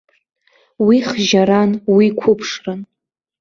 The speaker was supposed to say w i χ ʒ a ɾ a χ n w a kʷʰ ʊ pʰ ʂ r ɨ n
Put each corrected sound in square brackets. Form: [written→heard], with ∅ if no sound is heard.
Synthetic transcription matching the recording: w i χ ʒ a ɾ a [χ→∅] n w [a→i] kʷʰ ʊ pʰ ʂ r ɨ n